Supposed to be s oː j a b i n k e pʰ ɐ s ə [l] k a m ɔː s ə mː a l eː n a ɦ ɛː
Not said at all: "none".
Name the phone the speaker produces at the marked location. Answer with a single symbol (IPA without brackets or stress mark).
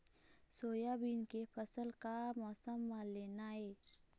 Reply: l